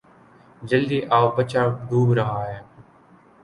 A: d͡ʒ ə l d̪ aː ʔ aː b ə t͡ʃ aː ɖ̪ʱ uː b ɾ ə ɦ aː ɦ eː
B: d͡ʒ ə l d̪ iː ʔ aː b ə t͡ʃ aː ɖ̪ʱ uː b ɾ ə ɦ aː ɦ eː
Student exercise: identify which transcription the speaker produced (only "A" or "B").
B